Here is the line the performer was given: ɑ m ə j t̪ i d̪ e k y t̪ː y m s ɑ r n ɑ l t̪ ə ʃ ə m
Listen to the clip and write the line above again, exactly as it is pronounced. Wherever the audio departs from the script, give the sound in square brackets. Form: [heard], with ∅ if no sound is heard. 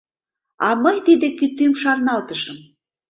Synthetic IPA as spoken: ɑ m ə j t̪ i d̪ e k y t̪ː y m [ʃ] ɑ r n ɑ l t̪ ə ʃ ə m